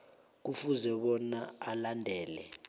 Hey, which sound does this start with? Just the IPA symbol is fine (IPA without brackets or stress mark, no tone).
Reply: k̬